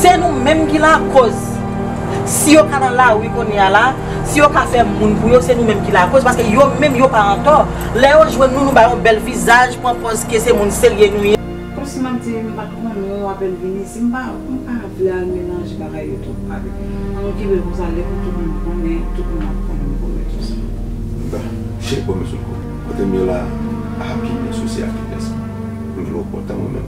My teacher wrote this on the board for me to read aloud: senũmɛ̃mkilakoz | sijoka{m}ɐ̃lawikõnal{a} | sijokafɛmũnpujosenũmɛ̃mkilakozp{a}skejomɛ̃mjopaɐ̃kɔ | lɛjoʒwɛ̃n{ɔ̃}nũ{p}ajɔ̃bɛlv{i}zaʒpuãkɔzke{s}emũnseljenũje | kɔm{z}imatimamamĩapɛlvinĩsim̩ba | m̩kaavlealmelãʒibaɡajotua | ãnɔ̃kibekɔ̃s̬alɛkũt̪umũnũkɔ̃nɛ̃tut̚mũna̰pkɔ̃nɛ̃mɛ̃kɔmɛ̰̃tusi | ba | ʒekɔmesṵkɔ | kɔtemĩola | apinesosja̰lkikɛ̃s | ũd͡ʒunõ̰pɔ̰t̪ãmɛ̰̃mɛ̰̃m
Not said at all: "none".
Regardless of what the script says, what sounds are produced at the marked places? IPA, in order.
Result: n, a, a, ũ, b, i, s, s

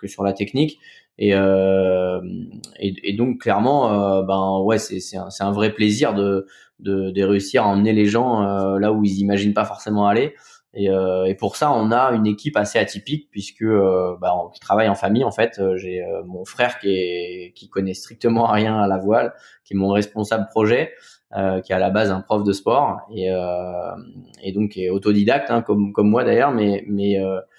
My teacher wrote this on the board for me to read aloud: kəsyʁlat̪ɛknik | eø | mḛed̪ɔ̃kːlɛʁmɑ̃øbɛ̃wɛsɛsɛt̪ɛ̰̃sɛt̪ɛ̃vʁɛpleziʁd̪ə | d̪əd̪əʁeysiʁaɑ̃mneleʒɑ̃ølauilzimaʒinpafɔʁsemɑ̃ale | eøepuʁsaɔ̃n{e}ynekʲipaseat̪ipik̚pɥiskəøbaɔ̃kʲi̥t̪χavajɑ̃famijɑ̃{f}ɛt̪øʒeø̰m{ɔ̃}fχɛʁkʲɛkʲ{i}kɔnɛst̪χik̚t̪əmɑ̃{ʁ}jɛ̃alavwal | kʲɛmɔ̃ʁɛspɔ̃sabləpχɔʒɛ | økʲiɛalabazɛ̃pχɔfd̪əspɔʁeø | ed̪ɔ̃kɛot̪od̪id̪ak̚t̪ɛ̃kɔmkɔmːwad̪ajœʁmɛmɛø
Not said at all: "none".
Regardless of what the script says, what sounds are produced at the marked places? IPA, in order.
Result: a, f, ɔ̃, i, ʁ

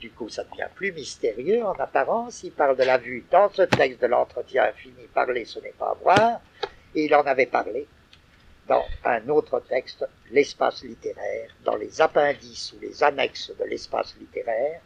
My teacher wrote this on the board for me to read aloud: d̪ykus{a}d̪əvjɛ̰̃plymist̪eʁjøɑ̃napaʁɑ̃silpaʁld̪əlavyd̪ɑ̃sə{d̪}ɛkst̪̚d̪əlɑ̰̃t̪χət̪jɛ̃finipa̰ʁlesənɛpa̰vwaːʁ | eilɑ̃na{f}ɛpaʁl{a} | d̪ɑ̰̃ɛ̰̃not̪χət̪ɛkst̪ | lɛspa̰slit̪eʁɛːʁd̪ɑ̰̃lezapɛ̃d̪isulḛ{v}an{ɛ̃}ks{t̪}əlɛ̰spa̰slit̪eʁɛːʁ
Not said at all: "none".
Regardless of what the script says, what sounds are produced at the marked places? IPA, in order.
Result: a, t̪, v, e, z, ɛ, d̪

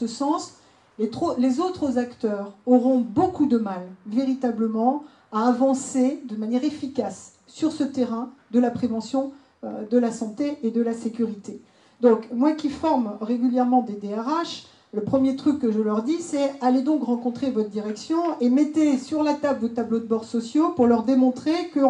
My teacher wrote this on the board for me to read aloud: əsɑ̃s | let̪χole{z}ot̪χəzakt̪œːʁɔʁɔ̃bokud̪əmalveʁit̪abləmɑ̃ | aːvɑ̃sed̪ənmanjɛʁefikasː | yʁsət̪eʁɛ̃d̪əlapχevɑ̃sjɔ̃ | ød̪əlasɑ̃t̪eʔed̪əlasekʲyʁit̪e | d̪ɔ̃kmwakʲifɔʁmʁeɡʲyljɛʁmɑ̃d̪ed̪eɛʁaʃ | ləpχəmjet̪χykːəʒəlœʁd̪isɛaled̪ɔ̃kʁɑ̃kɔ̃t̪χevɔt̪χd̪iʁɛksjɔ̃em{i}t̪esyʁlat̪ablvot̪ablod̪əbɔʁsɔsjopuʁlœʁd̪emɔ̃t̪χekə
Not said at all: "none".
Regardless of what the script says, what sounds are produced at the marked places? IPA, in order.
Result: z, ɛ

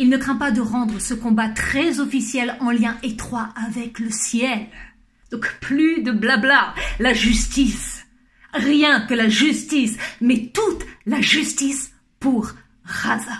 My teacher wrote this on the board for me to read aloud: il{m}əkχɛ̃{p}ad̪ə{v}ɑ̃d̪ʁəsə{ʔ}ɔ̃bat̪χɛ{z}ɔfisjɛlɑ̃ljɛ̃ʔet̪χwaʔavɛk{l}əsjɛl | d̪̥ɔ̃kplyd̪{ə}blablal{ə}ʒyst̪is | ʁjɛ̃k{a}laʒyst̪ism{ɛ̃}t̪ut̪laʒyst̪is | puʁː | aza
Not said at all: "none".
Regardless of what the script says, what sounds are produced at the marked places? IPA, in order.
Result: n, p, ʁ, k, z, l, ə, a, ə, ɛ

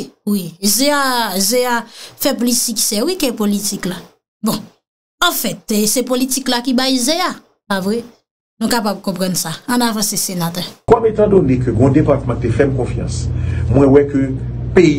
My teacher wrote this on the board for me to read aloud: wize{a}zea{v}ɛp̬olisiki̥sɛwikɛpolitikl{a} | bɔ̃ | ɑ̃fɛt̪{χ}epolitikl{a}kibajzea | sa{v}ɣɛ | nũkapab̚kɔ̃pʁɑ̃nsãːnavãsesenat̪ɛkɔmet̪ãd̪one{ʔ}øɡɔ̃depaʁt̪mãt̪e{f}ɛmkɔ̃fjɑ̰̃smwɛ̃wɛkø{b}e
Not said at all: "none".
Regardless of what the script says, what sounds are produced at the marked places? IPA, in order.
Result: a, f, a, s, a, v, k, f, p

